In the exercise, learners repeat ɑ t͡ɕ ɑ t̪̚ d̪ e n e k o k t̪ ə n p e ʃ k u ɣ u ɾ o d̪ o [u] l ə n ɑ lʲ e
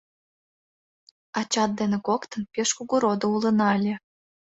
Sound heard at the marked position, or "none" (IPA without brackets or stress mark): u